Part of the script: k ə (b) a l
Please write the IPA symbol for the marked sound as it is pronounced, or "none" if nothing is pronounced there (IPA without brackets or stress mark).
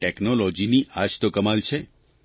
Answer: m